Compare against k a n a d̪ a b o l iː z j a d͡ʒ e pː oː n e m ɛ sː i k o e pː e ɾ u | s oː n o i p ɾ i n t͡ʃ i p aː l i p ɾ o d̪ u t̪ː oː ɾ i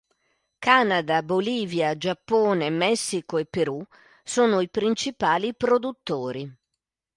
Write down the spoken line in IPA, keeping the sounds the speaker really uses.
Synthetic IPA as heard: k a n a d̪ a b o l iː v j a d͡ʒ a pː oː n e m ɛ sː i k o e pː e ɾ u | s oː n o i p ɾ i n t͡ʃ i p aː l i p ɾ o d̪ u t̪ː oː ɾ i

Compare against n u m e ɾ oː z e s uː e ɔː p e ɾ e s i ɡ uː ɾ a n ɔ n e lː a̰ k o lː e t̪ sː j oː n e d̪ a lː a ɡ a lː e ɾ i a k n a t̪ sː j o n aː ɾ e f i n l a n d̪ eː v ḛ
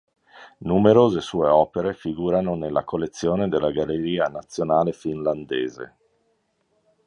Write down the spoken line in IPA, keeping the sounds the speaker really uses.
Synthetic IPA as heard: n u m e ɾ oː z e s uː e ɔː p e ɾ e f i ɡ uː ɾ a n o n e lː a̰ k o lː e t̪ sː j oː n e d̪ e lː a ɡ a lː e ɾ iː a n a t̪ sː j o n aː l e f i n l a n d̪ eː z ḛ

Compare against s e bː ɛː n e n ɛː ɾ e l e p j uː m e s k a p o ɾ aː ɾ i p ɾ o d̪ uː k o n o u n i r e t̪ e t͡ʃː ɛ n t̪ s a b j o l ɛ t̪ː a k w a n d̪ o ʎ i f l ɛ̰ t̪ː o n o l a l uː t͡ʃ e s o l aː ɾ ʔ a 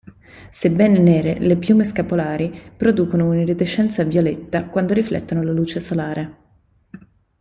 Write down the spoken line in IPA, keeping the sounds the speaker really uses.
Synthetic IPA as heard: s e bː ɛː n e n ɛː ɾ e l e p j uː m e s k a p o l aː ɾ i p ɾ o d̪ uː k o n o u n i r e t̪ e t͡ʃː ɛ n t̪ s a v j o l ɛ t̪ː a k w a n d̪ o ɾ i f l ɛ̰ t̪ː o n o l a l uː t͡ʃ e s o l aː ɾ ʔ e

